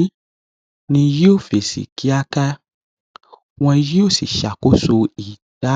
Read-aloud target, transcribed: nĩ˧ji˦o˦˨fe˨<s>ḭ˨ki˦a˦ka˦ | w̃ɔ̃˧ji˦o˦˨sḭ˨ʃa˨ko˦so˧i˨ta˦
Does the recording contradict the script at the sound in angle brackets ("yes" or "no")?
no